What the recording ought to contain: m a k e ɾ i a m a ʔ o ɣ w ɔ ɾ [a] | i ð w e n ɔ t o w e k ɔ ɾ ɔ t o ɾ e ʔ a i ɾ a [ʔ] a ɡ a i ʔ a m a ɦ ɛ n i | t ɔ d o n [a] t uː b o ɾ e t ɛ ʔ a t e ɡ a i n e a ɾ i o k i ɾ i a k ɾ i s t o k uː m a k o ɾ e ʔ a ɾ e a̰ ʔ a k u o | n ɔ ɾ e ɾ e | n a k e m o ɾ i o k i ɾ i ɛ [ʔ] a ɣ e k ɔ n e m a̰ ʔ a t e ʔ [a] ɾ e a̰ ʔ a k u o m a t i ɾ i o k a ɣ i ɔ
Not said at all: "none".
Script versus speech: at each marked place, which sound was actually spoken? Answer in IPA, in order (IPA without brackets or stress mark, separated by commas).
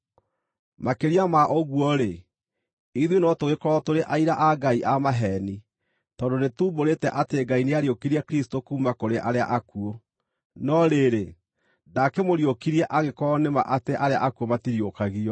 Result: e, ʔ, e, ʔ, a